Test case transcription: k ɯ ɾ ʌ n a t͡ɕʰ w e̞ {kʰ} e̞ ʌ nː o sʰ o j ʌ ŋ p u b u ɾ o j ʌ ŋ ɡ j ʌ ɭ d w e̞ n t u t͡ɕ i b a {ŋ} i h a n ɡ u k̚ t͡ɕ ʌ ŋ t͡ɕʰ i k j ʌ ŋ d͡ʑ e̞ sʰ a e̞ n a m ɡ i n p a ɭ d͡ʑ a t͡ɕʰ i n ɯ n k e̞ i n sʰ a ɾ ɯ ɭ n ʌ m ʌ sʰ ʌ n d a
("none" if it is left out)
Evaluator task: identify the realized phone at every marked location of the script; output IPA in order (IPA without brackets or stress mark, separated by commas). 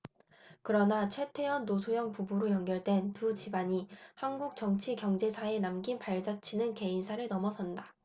tʰ, ɲ